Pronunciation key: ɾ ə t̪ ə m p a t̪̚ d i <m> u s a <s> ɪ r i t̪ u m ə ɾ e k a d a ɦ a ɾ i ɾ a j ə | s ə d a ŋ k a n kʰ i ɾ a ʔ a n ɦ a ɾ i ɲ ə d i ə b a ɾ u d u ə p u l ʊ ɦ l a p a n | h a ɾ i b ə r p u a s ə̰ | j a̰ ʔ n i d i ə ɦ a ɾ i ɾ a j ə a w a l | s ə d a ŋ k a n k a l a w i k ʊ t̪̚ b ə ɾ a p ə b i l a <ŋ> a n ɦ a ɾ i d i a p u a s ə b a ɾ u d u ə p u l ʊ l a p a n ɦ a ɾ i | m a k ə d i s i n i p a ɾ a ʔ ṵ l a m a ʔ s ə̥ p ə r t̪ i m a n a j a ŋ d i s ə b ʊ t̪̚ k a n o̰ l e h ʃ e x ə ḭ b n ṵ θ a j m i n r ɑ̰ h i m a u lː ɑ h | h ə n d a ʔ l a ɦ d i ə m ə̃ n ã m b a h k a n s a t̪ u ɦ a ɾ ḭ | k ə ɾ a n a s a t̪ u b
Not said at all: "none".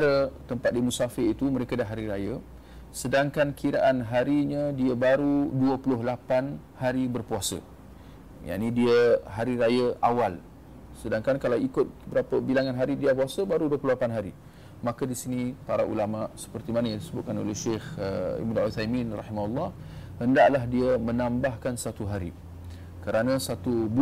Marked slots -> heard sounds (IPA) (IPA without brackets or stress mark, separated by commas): m, f, ŋ